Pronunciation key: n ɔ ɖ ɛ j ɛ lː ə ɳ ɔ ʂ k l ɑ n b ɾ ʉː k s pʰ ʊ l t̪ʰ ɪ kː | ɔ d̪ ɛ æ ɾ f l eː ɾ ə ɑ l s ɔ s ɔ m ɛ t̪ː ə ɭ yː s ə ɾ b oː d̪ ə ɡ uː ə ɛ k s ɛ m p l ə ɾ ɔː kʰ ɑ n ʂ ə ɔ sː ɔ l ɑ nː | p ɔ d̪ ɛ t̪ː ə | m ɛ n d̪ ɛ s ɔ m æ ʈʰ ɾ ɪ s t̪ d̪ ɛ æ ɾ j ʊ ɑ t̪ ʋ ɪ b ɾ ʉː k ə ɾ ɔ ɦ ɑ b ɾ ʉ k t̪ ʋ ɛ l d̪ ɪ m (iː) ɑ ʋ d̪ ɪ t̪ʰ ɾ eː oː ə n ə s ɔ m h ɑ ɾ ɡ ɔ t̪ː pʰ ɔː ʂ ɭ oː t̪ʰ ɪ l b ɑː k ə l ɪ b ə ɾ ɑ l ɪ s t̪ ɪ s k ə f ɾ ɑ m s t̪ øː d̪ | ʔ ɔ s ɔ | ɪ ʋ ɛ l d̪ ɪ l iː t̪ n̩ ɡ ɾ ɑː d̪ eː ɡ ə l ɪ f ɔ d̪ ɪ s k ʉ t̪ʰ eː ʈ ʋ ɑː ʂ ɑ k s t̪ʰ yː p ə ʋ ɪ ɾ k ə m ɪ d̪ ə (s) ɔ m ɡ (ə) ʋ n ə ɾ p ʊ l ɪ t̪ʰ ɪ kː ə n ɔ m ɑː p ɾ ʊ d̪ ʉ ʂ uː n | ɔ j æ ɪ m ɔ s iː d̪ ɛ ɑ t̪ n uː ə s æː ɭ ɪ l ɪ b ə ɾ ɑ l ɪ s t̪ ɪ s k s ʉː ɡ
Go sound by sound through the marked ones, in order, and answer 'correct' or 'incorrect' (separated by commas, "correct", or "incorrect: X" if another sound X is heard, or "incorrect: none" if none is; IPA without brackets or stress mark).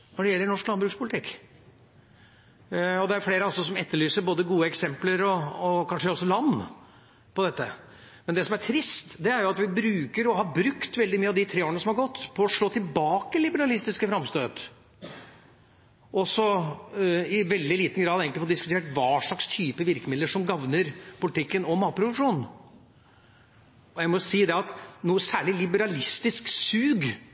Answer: incorrect: yː, incorrect: ʂ, incorrect: ɑ